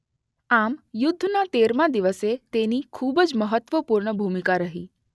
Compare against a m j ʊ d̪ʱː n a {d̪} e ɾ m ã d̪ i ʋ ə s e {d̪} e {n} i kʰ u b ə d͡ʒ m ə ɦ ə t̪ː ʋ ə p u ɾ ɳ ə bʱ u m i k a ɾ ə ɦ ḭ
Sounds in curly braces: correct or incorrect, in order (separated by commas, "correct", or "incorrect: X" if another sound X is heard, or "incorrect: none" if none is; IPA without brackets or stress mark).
incorrect: t̪, incorrect: t̪, correct